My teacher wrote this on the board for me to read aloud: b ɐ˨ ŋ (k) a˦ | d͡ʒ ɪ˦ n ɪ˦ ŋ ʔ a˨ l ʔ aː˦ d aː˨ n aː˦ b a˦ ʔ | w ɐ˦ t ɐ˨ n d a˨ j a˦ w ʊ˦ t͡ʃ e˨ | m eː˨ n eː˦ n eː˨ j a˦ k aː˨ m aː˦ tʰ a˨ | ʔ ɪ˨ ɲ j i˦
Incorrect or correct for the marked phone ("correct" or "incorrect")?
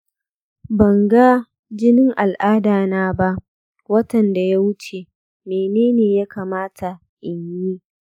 incorrect